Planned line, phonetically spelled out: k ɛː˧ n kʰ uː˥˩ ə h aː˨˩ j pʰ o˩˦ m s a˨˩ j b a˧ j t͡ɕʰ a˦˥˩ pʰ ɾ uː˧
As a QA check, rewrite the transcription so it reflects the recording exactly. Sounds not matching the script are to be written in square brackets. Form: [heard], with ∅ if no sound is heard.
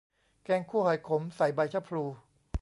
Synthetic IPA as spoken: k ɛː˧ [ŋ] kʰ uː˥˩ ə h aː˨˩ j [kʰ] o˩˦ m s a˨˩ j b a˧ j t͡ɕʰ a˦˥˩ pʰ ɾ uː˧